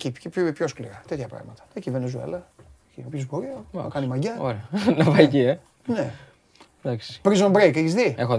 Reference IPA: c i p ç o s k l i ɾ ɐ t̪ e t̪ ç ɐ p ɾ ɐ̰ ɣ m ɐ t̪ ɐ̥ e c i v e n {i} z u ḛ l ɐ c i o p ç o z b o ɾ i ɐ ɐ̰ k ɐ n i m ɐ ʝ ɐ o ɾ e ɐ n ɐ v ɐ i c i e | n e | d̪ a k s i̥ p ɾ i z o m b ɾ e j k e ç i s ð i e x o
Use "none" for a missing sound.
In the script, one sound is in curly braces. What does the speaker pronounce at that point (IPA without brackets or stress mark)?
e